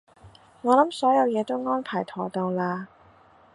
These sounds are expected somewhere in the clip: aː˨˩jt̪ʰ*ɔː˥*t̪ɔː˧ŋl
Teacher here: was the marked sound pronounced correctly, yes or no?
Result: no